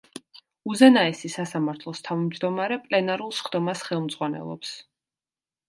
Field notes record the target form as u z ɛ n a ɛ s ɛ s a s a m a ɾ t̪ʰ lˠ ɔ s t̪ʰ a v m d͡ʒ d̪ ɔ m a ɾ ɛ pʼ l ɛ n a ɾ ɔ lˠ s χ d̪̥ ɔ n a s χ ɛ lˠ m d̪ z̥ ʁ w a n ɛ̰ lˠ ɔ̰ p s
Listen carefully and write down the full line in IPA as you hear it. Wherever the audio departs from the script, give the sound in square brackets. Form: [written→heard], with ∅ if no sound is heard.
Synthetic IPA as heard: u z ɛ n a ɛ s [ɛ→i] s a s a m a ɾ t̪ʰ lˠ ɔ s t̪ʰ a v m d͡ʒ d̪ ɔ m a ɾ ɛ pʼ l ɛ n a ɾ [ɔ→u] lˠ s χ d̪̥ ɔ [n→m] a s χ ɛ lˠ m d̪ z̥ ʁ w a n ɛ̰ lˠ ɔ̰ p s